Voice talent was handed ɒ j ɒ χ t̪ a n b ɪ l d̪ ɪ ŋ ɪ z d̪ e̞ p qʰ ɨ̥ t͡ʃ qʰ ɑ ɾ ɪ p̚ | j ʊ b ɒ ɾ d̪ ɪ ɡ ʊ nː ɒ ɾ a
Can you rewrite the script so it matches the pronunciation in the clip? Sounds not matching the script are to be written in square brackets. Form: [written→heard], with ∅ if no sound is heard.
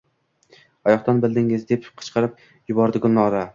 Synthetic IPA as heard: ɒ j ɒ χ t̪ a n b ɪ l d̪ ɪ ŋ ɪ z d̪ e̞ p qʰ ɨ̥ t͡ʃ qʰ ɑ ɾ ɪ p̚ | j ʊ b ɒ ɾ d̪ ɪ ɡ ʊ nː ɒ ɾ a